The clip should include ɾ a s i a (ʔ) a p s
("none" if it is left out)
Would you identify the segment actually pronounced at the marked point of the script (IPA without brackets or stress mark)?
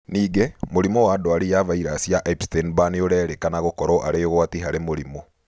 ʔ